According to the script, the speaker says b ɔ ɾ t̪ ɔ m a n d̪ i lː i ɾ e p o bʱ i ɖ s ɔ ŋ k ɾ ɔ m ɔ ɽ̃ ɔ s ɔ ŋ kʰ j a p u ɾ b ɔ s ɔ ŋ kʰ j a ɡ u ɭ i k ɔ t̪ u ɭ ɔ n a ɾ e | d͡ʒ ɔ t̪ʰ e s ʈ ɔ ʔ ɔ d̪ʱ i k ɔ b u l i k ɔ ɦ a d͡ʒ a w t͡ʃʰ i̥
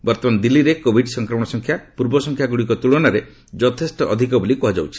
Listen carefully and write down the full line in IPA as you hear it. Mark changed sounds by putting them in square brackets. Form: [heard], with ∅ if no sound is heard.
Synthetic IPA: b ɔ ɾ t̪ ɔ m a n d̪ i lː i ɾ e [k] o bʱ i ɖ s ɔ ŋ k ɾ ɔ m ɔ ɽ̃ ɔ s ɔ ŋ kʰ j a p u ɾ b ɔ s ɔ ŋ kʰ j a ɡ u [ɽ] i k ɔ t̪ u ɭ ɔ n a ɾ e | d͡ʒ ɔ t̪ʰ e s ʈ ɔ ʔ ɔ d̪ʱ i k ɔ b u l i k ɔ ɦ a d͡ʒ a w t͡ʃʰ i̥